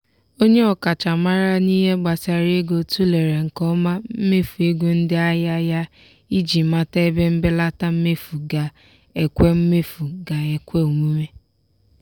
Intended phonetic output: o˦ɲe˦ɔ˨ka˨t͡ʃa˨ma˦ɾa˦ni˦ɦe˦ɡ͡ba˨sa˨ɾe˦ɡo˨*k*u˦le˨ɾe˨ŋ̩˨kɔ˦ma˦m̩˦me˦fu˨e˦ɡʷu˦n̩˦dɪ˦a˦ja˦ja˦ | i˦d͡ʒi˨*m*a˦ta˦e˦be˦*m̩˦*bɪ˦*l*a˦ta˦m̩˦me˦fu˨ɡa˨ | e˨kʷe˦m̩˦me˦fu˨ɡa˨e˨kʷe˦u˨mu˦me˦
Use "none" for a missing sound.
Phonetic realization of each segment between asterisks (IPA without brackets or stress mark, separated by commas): t, m, m̩˦, l